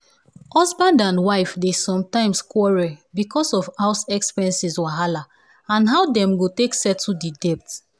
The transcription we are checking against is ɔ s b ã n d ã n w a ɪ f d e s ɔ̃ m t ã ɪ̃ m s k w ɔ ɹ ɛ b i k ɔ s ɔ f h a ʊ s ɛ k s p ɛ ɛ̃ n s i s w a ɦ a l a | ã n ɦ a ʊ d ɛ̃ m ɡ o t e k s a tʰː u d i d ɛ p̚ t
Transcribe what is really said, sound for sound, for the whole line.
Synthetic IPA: ɔ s b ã n d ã n w a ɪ f d e s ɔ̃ m t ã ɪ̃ m s k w ɔ ɹ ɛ b i k ɔ s ɔ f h a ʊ s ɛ k s p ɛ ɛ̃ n s i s w a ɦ a l a | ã n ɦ a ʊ d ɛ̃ m ɡ o t e k s ɛ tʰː u d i d ɛ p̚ t